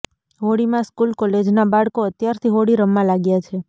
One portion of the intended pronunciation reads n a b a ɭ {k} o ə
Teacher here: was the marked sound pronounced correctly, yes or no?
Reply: yes